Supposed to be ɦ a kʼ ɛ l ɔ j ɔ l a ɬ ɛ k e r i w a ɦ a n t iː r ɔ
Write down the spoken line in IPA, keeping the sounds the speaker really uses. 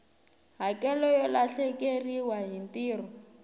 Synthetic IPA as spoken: ɦ a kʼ ɛ l ɔ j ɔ l a ɬ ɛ k e r i w a ɦ i n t iː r ɔ